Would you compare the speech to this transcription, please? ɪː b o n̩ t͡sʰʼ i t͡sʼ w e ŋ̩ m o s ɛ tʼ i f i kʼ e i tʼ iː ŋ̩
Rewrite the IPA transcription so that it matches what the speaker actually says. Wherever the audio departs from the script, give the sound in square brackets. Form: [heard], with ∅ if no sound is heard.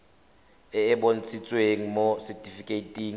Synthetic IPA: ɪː b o n̩ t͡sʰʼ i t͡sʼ w e ŋ̩ m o s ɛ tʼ i f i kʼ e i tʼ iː ŋ̩